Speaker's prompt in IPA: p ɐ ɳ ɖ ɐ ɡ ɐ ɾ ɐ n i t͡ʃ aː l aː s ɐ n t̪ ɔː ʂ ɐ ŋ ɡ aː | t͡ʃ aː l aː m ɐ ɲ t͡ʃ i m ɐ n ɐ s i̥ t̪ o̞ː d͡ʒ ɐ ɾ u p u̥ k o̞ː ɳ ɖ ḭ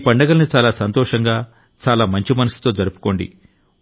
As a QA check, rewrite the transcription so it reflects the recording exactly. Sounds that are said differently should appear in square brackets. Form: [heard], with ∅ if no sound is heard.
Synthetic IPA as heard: p ɐ ɳ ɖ ɐ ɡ ɐ [l] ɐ n i t͡ʃ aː l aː s ɐ n t̪ ɔː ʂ ɐ ŋ ɡ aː | t͡ʃ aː l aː m ɐ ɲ t͡ʃ i m ɐ n ɐ s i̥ t̪ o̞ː d͡ʒ ɐ ɾ u p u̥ k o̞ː ɳ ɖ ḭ